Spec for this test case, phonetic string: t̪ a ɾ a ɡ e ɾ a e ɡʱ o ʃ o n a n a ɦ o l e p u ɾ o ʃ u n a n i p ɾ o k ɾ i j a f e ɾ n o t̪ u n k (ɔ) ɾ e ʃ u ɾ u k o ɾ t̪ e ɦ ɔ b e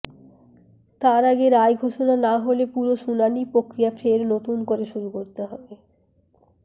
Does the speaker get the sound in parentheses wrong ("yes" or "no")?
yes